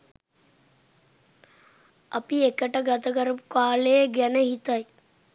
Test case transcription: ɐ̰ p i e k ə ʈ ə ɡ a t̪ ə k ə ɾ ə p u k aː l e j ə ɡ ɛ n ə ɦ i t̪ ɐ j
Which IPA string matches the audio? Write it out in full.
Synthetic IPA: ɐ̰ p i e k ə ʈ ə ɡ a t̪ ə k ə ɾ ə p u k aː l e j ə ɡ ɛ n ə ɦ i t̪ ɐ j